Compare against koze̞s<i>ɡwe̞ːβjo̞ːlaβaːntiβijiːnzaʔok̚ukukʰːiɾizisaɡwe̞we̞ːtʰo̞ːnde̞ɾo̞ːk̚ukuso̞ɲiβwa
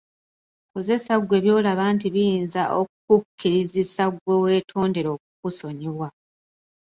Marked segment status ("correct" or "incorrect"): incorrect